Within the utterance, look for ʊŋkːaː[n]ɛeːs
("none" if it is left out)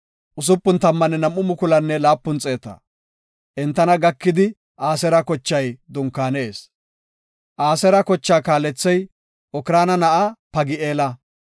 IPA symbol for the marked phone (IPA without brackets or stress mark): n